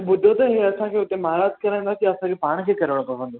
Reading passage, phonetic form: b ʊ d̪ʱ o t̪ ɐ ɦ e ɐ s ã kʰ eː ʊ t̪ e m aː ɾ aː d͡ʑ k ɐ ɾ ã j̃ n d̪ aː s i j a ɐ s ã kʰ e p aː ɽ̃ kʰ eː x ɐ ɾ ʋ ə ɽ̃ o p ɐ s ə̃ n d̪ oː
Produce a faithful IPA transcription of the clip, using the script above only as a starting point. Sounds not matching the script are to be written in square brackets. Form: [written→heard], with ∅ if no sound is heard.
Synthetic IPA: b ʊ d̪ʱ o t̪ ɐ ɦ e ɐ s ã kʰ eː ʊ t̪ e m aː ɾ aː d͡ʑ k ɐ ɾ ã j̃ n d̪ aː s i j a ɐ s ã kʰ e p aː ɽ̃ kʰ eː [x→k] ɐ ɾ ʋ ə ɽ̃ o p ɐ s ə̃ n d̪ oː